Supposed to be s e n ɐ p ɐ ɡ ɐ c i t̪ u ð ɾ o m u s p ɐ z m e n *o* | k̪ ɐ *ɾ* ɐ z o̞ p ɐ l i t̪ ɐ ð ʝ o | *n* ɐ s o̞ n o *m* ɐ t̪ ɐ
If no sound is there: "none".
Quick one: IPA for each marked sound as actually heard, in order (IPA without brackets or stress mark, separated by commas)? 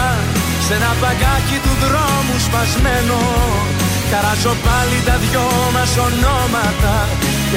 o, ɾ, m, m